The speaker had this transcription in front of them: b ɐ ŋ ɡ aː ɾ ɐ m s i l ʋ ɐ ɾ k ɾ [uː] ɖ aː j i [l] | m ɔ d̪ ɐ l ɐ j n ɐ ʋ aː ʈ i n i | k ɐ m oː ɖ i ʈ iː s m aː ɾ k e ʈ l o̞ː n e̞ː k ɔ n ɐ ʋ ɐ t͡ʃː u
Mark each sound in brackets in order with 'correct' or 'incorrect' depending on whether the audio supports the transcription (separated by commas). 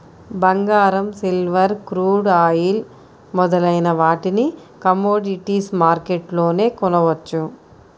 correct, correct